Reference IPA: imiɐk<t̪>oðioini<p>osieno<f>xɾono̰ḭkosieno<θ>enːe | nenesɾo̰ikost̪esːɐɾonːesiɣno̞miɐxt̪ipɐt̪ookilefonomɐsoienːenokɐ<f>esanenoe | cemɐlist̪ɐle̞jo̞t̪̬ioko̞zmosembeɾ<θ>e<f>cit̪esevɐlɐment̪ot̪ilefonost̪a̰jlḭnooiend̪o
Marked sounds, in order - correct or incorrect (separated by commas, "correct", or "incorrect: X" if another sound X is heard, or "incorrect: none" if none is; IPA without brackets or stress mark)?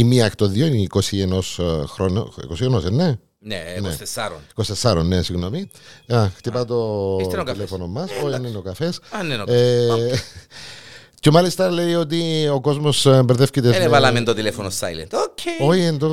correct, incorrect: k, incorrect: s, incorrect: s, correct, incorrect: ð, correct